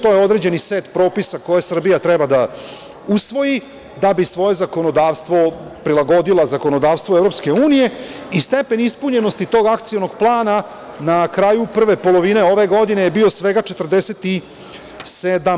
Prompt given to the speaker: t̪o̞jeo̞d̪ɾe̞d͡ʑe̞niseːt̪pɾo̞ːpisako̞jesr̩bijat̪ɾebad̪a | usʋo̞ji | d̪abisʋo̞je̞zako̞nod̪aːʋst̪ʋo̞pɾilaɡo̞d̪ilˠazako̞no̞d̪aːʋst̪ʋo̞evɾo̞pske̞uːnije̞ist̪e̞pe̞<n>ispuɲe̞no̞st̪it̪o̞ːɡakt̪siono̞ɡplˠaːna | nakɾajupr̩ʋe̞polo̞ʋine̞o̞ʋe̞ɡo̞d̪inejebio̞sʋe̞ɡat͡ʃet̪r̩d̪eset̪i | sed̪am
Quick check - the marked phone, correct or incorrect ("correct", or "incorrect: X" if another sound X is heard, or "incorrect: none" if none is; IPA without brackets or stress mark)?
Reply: correct